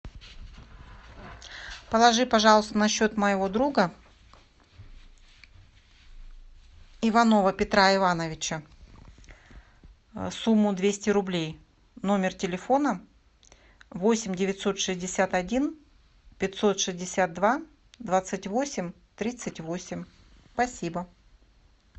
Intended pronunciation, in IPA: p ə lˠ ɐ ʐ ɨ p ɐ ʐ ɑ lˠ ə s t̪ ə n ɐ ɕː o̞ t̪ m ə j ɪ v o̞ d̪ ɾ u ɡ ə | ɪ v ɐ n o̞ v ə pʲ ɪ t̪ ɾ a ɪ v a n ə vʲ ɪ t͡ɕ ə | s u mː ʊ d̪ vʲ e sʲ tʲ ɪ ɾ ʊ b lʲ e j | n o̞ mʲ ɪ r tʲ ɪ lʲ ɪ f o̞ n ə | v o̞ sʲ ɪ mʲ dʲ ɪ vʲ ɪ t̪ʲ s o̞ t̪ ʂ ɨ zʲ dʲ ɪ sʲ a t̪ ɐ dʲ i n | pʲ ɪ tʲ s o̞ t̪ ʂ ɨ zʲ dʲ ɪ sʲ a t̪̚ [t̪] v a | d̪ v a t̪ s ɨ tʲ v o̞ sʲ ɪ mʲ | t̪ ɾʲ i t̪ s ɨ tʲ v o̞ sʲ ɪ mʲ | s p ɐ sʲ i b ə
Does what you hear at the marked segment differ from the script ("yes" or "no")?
yes